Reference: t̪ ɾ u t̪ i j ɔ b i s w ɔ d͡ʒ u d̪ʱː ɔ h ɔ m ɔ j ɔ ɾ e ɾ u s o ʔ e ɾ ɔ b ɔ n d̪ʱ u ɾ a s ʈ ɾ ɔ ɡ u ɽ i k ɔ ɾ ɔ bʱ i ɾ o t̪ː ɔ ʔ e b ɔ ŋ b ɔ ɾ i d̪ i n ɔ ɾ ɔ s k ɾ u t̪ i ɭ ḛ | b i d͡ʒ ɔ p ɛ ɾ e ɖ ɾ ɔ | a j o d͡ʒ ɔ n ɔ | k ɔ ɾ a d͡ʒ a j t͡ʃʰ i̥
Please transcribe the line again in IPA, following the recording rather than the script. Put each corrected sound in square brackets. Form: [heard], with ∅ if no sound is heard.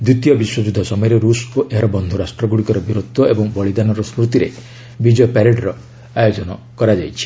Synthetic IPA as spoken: [d̪] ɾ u t̪ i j ɔ b i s w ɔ d͡ʒ u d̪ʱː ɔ [s] ɔ m ɔ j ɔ ɾ e ɾ u s o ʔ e ɾ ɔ b ɔ n d̪ʱ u ɾ a s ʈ ɾ ɔ ɡ u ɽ i k ɔ ɾ ɔ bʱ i ɾ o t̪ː ɔ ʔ e b ɔ ŋ b ɔ [ɭ] i d̪ [a] n ɔ ɾ ɔ s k ɾ u t̪ i [ɾ] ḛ | b i d͡ʒ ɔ p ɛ ɾ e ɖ ɾ ɔ | a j o d͡ʒ ɔ n ɔ | k ɔ ɾ a d͡ʒ a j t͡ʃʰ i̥

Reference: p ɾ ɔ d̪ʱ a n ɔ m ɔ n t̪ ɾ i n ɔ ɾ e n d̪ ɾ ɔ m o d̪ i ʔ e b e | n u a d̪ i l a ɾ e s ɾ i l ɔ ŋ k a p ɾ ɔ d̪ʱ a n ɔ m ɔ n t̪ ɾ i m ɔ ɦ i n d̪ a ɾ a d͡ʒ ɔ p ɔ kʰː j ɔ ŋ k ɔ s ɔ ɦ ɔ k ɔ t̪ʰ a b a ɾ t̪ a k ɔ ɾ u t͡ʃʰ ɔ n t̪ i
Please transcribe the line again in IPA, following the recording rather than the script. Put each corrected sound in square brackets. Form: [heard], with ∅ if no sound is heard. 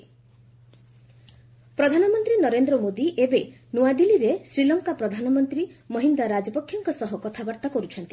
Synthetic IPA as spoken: p ɾ ɔ d̪ʱ a n ɔ m ɔ n t̪ ɾ i n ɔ ɾ e n d̪ ɾ ɔ m o d̪ i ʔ e b e | n u a d̪ i l [i] ɾ e s ɾ i l ɔ ŋ k a p ɾ ɔ d̪ʱ a n ɔ m ɔ n t̪ ɾ i m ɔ ɦ i n d̪ a ɾ a d͡ʒ ɔ p ɔ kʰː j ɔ ŋ k ɔ s ɔ ɦ ɔ k ɔ t̪ʰ a b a ɾ t̪ a k ɔ ɾ u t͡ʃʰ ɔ n t̪ i

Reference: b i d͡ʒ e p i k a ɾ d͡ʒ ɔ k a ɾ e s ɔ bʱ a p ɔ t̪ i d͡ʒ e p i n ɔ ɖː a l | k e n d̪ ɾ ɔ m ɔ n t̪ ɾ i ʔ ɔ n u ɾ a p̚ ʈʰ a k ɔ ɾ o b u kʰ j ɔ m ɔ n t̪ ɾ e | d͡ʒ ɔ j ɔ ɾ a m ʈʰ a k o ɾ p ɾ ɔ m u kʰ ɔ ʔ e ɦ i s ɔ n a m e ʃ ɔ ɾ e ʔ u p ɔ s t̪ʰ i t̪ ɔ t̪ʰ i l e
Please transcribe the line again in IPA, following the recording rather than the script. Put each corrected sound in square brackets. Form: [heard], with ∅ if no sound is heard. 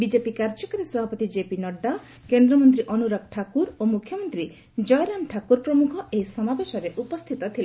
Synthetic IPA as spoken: b i d͡ʒ e p i k a ɾ d͡ʒ ɔ k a ɾ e s ɔ bʱ a p ɔ t̪ i d͡ʒ e p i n ɔ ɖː a [∅] | k e n d̪ ɾ ɔ m ɔ n t̪ ɾ i ʔ ɔ n u ɾ a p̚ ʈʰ a k [u] ɾ o [m] u kʰ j ɔ m ɔ n t̪ ɾ [i] | d͡ʒ ɔ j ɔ ɾ a m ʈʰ a k [u] ɾ p ɾ ɔ m u kʰ ɔ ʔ e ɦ i s ɔ [m] a [b] e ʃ ɔ ɾ e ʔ u p ɔ s t̪ʰ i t̪ ɔ t̪ʰ i l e

